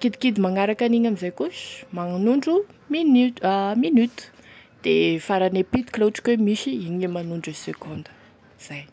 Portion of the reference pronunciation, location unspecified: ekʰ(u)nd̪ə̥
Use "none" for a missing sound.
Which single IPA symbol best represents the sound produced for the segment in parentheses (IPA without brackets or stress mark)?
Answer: o